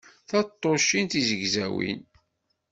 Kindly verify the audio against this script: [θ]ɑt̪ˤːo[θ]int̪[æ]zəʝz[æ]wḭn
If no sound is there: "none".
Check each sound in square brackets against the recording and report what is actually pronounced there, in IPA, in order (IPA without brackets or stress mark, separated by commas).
θ, ʃ, i, æ